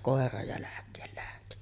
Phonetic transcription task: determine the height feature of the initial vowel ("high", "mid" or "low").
mid